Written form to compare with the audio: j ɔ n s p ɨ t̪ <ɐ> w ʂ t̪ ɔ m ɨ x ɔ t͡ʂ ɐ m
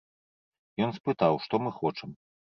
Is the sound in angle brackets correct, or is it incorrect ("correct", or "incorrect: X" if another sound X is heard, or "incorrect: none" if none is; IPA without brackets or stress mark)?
incorrect: a